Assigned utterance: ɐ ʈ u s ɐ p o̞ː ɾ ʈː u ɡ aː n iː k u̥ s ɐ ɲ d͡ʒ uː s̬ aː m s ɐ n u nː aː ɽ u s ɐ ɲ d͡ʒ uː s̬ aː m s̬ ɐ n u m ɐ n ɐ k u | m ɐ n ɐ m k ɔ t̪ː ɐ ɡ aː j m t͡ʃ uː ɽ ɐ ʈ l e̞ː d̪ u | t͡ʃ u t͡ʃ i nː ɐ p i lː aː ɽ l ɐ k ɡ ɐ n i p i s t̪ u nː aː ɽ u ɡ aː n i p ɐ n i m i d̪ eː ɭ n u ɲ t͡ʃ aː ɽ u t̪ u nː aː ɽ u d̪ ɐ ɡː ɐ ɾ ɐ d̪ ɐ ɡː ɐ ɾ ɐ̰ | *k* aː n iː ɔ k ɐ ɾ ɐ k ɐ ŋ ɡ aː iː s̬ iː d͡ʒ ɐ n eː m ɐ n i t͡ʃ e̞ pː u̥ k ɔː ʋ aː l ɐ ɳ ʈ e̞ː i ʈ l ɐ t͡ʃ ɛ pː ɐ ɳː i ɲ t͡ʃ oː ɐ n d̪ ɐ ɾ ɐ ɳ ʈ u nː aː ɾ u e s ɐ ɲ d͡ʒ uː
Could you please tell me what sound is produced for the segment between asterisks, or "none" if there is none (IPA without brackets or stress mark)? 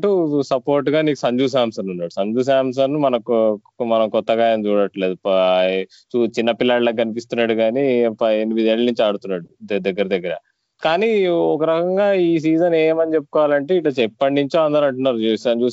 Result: k